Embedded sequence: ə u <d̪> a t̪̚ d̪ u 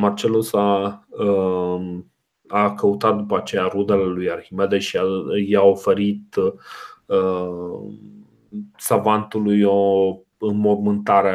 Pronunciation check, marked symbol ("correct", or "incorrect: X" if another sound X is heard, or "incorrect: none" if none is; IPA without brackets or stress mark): incorrect: t̪